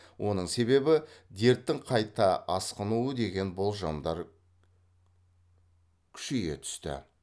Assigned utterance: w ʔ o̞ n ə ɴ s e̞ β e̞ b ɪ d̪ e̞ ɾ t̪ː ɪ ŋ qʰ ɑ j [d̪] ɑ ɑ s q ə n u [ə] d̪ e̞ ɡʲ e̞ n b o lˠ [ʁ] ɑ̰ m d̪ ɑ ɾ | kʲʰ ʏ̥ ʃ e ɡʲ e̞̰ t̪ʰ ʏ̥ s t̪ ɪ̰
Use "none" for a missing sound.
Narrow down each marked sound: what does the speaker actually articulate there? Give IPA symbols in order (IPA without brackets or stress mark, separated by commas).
t̪, ə, ʒ